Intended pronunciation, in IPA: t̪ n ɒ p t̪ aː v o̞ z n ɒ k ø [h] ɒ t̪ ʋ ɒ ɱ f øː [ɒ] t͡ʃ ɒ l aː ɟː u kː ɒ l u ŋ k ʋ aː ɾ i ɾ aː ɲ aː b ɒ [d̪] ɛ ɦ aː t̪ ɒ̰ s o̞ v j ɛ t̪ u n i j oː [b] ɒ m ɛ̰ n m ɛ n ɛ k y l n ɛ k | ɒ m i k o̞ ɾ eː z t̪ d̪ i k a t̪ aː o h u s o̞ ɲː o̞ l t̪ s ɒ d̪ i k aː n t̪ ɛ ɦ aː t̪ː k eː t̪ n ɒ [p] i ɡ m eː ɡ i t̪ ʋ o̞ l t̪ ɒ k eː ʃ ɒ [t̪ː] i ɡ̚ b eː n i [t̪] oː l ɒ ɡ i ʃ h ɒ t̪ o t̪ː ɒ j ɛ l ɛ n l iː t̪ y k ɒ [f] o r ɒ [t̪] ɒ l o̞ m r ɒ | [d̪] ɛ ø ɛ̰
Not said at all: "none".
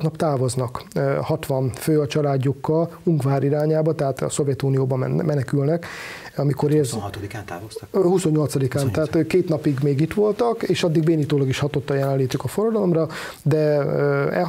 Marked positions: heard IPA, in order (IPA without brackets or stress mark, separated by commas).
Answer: h, ɒ, t̪, b, p, d̪ː, t̪, f, d̪, d̪